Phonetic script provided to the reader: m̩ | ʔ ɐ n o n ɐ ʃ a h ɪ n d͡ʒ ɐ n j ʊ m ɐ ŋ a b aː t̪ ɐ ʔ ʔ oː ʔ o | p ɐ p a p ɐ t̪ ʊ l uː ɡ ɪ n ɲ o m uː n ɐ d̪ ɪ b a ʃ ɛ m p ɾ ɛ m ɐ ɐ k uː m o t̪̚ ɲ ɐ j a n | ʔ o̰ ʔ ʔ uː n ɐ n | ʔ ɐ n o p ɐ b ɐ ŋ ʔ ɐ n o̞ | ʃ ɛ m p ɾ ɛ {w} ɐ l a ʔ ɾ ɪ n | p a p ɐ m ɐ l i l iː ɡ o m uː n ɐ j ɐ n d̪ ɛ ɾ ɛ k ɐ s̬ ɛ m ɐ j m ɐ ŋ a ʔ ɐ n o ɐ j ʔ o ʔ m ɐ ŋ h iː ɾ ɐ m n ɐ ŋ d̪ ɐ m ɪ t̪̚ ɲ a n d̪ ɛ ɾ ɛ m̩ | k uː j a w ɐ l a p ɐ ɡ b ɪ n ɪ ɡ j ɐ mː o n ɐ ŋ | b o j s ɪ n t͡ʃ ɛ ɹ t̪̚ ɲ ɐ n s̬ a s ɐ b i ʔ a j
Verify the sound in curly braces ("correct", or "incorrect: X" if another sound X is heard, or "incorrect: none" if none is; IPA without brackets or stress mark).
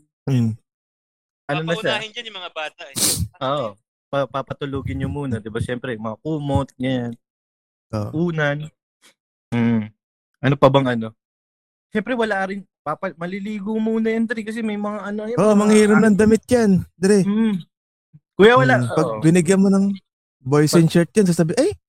correct